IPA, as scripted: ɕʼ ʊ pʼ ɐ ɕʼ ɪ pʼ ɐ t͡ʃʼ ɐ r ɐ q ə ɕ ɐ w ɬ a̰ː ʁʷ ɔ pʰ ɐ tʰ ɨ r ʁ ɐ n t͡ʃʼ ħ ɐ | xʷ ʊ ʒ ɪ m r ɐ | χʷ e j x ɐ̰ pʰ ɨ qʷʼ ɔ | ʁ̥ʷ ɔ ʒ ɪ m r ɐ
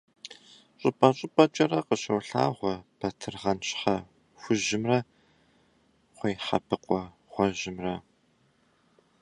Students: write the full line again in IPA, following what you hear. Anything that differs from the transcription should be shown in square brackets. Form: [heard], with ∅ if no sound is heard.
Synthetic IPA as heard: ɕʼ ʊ pʼ ɐ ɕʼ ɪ pʼ ɐ t͡ʃʼ ɐ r ɐ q ə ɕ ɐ w ɬ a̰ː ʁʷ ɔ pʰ ɐ tʰ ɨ r ʁ ɐ n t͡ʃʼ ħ ɐ | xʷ ʊ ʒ ɪ m r ɐ | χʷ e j [ħ] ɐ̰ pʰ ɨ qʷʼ ɔ | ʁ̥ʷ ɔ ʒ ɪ m r ɐ